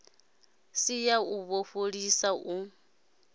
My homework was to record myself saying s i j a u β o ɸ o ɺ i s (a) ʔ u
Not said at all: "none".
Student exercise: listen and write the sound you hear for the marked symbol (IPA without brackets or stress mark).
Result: a